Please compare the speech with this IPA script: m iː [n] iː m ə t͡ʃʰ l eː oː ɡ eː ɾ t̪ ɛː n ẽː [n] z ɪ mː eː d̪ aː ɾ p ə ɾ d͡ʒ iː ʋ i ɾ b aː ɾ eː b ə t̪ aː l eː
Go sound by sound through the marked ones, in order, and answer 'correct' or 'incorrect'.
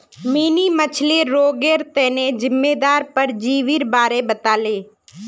correct, incorrect

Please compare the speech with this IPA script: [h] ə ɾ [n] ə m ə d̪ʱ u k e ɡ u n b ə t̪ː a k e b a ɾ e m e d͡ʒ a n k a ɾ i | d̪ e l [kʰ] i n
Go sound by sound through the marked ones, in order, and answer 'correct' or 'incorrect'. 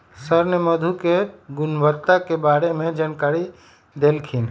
incorrect, correct, correct

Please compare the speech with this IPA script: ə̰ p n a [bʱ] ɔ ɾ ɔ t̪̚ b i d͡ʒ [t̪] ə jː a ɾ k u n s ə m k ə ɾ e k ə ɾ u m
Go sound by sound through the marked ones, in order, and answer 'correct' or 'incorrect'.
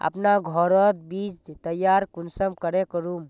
incorrect, correct

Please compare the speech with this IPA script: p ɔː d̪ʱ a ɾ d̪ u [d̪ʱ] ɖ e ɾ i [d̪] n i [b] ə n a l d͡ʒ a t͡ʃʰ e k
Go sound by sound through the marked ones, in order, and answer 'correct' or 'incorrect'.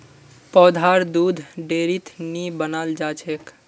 correct, incorrect, correct

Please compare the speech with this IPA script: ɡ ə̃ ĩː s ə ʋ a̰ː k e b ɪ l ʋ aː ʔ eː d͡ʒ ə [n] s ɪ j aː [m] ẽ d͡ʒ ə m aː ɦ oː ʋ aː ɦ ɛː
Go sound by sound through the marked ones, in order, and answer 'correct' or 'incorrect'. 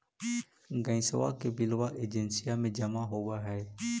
correct, correct

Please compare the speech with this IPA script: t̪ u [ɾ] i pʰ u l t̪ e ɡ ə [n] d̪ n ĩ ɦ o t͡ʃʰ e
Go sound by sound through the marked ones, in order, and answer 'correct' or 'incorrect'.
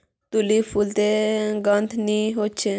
incorrect, correct

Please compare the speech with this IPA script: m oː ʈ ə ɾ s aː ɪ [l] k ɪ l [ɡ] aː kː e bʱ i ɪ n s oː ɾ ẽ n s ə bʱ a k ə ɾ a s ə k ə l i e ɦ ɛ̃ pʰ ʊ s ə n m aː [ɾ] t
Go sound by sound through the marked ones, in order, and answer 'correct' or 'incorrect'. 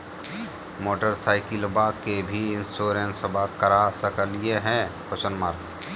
incorrect, incorrect, correct

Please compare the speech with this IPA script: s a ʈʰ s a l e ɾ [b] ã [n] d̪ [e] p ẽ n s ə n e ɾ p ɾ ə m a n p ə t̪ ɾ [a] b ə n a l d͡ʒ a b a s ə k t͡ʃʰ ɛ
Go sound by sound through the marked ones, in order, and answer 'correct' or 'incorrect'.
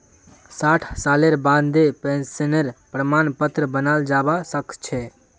correct, correct, correct, incorrect

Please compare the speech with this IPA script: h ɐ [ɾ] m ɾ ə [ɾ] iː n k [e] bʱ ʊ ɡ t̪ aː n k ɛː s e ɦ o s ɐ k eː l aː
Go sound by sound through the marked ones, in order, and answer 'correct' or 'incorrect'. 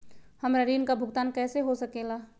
incorrect, correct, incorrect

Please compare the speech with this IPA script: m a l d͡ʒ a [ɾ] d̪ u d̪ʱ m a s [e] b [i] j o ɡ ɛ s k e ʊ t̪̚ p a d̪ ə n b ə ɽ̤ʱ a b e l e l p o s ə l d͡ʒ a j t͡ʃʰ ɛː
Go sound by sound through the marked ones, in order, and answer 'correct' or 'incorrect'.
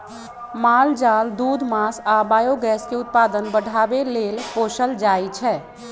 incorrect, incorrect, incorrect

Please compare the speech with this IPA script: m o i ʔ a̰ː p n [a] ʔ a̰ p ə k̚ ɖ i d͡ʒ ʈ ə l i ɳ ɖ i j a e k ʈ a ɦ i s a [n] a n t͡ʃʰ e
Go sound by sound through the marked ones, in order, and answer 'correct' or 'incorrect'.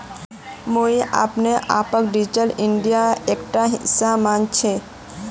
incorrect, incorrect

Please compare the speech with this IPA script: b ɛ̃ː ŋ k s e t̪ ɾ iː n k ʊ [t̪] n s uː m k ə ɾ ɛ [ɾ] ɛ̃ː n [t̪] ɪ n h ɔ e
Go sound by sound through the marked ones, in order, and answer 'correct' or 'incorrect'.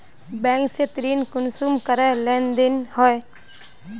incorrect, incorrect, incorrect

